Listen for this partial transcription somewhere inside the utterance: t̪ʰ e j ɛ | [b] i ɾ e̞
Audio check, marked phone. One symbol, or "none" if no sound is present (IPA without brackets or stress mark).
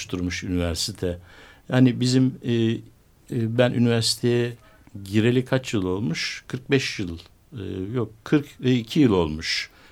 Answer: ɟ